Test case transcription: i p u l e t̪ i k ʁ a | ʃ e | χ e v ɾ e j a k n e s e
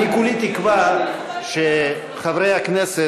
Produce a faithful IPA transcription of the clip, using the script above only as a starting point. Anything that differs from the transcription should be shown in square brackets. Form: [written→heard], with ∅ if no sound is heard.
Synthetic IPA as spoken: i [p→k] u l [e→i] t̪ i k [ʁ→v] a | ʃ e | χ [e→a] v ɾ e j a k n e s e

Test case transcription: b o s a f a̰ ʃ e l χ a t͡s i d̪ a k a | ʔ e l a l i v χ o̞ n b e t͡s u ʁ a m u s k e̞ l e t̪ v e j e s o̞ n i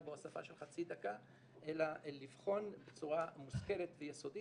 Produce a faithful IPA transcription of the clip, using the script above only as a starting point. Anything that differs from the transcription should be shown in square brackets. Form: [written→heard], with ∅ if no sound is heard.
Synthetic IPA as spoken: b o s a f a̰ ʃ e l χ a t͡s i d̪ a k a | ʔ e l a l i v χ o̞ n b e t͡s u ʁ a m u s k e̞ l e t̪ v e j e s o̞ [n→d] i

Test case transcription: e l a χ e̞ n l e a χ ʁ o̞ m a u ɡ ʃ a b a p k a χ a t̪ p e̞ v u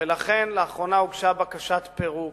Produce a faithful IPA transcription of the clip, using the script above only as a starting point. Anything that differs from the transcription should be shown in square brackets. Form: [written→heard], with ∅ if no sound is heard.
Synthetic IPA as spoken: e l a χ e̞ n l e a χ ʁ o̞ [m→n] a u ɡ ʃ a b a [p→∅] k a [χ→ʃ] a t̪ p e̞ [v→ʁ] u

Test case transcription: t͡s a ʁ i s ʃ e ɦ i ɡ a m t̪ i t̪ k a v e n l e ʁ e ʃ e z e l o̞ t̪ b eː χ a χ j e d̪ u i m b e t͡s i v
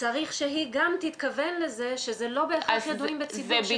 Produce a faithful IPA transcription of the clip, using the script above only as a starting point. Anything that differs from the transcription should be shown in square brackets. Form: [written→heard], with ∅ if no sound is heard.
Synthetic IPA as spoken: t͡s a ʁ i [s→χ] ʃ e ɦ i ɡ a m t̪ i t̪ k a v e n l e [ʁ→z] e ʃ e z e l o̞ [t̪→∅] b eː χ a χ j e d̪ u i m b e t͡s i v

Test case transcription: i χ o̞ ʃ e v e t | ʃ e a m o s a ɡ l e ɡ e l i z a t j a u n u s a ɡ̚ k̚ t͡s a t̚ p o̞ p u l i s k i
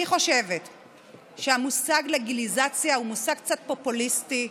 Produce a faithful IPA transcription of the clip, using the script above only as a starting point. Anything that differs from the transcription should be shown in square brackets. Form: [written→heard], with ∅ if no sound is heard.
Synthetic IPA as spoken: i χ o̞ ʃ e v e t | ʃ e a m [o→u] s a ɡ l e ɡ [e→i] l i z a [t→t͡s] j a u [n→m] u s a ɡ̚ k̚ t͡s a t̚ p o̞ p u l i s [k→t] i

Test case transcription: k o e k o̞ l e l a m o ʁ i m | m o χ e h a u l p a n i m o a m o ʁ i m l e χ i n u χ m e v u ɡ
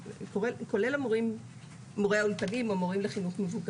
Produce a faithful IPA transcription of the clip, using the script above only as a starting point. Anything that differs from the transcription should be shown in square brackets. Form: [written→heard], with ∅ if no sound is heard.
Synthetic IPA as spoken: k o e k o̞ l e l a m o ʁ i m | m o [χ→ʁ] e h a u l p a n i m o a m o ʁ i m l e χ i n u χ m e v u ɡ

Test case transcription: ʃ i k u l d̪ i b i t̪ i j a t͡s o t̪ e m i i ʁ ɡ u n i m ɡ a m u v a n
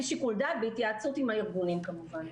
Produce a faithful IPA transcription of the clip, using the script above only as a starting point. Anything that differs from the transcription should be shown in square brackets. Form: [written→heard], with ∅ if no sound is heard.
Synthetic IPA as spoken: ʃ i k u l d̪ [i→a] b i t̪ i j a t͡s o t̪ [e→i] m [i→a] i ʁ ɡ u n i m [ɡ→k] a m u v a n

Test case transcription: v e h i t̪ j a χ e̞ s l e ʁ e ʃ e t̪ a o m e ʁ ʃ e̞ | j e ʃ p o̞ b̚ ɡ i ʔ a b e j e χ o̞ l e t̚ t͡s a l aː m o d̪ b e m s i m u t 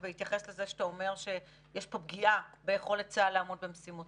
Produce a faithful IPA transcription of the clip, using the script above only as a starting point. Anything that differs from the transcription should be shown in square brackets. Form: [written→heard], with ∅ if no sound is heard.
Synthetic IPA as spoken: v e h i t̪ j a χ e̞ s l e [ʁ→z] e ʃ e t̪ a o m e ʁ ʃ e̞ | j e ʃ p o̞ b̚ ɡ i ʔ a b e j e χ o̞ l e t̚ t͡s a l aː m o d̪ b e m s i m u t

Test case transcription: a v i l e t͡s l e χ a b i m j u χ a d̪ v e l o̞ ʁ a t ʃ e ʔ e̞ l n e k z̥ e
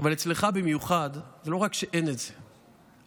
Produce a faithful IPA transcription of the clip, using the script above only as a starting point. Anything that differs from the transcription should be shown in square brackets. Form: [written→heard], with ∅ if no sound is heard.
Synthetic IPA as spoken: a v [i→a] l e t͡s l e χ a b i m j u χ a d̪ [v→z] e l o̞ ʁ a [t→k] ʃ e ʔ e̞ [l→∅] n e [k→t] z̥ e

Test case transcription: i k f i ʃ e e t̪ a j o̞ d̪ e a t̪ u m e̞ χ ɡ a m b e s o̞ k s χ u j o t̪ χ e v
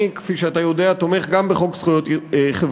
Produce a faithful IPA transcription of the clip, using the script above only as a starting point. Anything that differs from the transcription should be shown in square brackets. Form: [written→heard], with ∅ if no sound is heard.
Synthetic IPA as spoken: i k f i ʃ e [e→a] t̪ a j o̞ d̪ e a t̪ [u→o] m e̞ χ ɡ a m b e [s→χ] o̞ k s χ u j o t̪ χ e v

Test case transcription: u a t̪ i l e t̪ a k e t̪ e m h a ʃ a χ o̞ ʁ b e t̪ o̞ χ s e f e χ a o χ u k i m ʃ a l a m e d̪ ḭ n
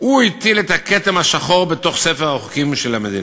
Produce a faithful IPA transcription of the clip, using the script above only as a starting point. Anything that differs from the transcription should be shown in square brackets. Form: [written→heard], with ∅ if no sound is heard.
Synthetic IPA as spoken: u [a→i] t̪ i l e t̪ a k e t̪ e m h a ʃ a χ o̞ ʁ b e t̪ o̞ χ s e f e [χ→ʁ] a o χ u k i m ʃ [a→e] l a m e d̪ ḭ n

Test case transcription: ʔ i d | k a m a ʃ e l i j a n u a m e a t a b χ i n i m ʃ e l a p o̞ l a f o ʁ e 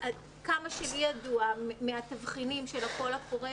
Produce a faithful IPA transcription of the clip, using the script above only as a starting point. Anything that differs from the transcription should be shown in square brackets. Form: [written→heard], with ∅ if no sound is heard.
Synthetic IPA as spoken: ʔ [i→a] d | k a m a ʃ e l i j a [n→d] u a m e a t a [b→v] χ i n i m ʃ e l a [p→k] o̞ l a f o ʁ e

